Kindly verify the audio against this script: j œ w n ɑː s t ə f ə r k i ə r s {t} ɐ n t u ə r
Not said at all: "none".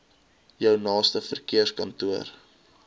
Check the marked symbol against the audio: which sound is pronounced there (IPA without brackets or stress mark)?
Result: k